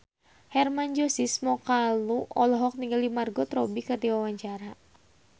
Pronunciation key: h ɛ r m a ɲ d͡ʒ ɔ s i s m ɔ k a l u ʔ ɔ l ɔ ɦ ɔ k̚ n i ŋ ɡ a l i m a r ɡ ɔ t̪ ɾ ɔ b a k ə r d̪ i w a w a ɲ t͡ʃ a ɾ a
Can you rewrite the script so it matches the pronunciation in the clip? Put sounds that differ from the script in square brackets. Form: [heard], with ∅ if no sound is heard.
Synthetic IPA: h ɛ r m a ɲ d͡ʒ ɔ s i s m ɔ k a l u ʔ ɔ l ɔ ɦ ɔ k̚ n i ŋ ɡ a l i m a r ɡ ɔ t̪ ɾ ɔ b [i] k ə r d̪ i w a w a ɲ t͡ʃ a ɾ a